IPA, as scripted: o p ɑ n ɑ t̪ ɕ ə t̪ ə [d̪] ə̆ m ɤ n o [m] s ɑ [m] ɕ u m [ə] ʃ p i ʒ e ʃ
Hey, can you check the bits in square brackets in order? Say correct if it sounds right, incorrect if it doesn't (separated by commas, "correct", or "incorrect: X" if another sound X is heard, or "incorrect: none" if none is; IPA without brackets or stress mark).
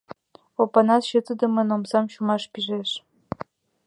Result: correct, correct, correct, incorrect: ɑ